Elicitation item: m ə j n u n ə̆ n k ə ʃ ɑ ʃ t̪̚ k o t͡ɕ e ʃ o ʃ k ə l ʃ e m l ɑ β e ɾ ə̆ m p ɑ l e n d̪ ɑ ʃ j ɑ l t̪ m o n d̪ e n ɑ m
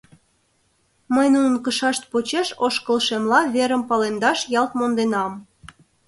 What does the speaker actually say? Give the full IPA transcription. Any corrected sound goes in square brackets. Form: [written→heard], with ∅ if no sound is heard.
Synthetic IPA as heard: m ə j n u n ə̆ n k ə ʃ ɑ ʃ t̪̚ [k→p] o t͡ɕ e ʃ o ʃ k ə l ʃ e m l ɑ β e ɾ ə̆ m p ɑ l e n d̪ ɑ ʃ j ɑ l t̪ m o n d̪ e n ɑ m